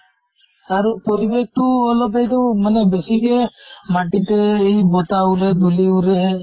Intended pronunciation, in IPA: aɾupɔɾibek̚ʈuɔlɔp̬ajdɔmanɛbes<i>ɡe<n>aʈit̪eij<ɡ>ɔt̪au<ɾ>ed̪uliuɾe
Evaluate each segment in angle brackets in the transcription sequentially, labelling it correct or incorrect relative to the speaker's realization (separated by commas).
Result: correct, incorrect, incorrect, correct